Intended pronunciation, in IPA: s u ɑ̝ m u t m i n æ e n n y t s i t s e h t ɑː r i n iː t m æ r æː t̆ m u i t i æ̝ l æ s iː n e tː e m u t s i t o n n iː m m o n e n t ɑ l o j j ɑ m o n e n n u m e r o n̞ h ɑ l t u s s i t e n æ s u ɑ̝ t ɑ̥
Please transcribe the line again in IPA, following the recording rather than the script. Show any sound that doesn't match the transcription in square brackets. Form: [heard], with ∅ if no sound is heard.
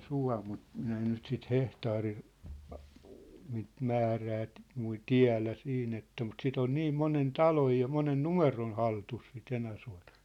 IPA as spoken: s u ɑ̝ m u t m i n æ e n n y t s i t [h] e h t ɑː r i n iː t m [æː] r æː t̆ m u i t i æ̝ l æ s iː n e tː [æ] m u t s i t o n n iː m m o n e n t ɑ l o j j ɑ m o n e n n u m e r o n̞ h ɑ l t u s s i t e n æ s u ɑ̝ t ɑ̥